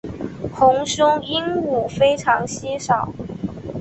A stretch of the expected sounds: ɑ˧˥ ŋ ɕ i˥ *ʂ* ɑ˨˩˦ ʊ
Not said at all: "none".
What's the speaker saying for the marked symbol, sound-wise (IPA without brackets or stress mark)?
ʂ